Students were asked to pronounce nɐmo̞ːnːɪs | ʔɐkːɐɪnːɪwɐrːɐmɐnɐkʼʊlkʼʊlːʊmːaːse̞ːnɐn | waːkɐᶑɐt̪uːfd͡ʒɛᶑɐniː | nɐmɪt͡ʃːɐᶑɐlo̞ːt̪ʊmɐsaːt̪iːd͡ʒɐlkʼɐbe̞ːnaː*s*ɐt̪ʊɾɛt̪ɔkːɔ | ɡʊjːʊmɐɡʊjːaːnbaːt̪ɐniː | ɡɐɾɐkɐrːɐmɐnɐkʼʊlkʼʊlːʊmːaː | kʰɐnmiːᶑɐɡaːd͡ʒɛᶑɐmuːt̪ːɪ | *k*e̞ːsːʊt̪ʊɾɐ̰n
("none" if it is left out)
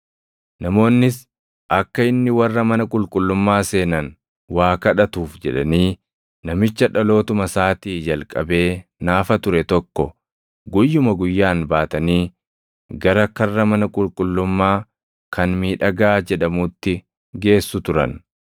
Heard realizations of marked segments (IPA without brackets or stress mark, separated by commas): f, ɡ